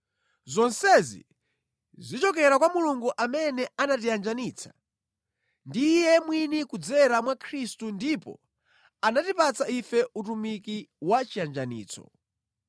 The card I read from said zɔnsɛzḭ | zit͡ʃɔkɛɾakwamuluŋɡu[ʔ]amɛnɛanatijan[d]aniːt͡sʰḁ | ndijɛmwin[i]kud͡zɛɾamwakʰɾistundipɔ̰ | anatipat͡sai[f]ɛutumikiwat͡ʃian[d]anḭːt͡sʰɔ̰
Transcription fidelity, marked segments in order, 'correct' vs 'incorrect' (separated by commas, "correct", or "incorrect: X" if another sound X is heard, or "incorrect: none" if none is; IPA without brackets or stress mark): correct, incorrect: d͡ʒ, correct, correct, incorrect: d͡ʒ